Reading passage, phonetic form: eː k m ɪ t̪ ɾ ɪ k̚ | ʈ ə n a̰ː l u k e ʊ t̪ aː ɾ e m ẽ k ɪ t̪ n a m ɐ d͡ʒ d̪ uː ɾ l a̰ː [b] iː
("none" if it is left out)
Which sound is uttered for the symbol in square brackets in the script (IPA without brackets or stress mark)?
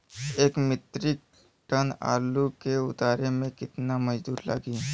ɡ